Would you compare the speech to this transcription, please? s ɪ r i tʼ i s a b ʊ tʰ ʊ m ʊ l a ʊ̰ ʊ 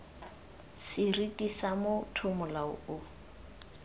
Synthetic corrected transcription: s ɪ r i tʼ i s a m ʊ tʰ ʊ m ʊ l a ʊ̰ ʊ